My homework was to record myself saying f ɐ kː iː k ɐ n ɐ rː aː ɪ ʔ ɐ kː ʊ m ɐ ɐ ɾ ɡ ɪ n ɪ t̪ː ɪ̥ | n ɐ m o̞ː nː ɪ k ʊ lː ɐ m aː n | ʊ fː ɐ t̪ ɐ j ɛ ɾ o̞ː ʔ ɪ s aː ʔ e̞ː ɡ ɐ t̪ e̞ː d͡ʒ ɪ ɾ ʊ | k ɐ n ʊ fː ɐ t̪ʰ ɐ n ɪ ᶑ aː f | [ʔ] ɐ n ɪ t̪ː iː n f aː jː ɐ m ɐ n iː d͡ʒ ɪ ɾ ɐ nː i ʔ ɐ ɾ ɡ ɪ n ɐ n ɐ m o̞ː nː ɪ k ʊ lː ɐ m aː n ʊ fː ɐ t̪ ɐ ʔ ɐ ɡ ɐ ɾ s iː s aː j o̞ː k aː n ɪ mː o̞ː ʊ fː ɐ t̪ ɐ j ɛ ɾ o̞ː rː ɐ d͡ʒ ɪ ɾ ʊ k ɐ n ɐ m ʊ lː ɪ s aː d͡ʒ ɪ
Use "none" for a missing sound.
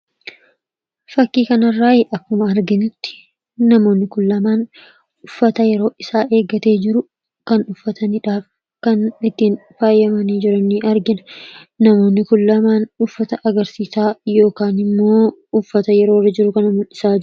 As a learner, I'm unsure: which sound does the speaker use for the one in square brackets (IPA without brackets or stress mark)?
k